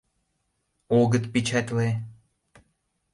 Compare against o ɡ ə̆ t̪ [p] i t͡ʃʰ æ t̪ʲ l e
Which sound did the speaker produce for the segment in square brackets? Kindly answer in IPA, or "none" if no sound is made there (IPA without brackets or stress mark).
p